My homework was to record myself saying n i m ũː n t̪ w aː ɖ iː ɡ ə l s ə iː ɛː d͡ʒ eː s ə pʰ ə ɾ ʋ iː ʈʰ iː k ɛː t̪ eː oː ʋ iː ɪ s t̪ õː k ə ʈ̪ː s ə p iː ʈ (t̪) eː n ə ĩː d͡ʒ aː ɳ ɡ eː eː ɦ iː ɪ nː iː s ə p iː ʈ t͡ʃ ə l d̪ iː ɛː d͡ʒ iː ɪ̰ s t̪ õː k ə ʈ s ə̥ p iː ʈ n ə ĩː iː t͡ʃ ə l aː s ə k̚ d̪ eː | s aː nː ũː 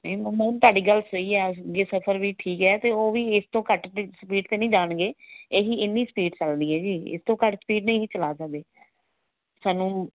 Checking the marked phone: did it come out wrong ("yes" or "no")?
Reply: no